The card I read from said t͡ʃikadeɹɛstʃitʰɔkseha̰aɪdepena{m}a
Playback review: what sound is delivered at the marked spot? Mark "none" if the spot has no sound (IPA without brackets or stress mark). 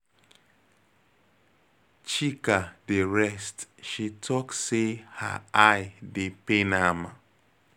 m